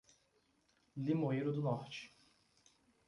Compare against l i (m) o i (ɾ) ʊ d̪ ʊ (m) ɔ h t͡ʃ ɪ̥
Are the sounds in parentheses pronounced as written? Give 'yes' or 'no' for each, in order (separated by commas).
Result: yes, yes, no